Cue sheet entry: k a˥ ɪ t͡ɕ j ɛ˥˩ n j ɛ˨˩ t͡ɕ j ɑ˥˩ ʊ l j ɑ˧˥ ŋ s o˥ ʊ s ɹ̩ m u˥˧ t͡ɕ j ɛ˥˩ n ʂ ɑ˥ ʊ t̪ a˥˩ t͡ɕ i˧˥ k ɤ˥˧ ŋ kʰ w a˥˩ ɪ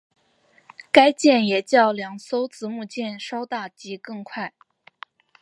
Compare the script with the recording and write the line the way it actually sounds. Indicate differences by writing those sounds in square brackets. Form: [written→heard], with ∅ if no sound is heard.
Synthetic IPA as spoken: k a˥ ɪ t͡ɕ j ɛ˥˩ n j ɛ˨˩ t͡ɕ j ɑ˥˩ ʊ l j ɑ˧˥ ŋ s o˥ ʊ [s→t͡s] ɹ̩ m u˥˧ t͡ɕ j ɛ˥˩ n ʂ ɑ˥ ʊ t̪ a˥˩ t͡ɕ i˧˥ k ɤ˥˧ ŋ kʰ w a˥˩ ɪ